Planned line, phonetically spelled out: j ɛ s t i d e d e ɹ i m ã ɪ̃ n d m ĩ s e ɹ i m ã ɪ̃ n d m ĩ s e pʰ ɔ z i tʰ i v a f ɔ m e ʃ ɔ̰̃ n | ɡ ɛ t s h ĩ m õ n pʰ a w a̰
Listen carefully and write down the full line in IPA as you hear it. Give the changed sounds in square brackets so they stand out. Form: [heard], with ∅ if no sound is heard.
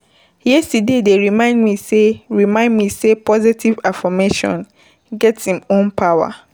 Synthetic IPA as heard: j ɛ s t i d e d e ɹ i m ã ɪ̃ n d m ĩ s e ɹ i m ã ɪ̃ n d m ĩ s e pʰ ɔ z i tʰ i v a f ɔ m e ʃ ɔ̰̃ n | ɡ ɛ t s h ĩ m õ n pʰ a w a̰